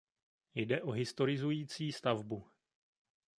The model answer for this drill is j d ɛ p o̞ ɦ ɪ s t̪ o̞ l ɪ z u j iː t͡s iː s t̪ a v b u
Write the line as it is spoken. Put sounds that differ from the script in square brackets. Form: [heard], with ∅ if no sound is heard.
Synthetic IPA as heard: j d ɛ [ʔ] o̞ ɦ ɪ s t̪ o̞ [ɾ] ɪ z u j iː t͡s iː s t̪ a v b u